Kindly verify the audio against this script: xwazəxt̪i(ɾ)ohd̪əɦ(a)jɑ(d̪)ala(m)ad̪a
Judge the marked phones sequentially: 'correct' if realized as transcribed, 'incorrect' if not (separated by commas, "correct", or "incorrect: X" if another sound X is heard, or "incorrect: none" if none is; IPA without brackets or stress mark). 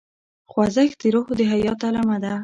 correct, correct, incorrect: t̪, correct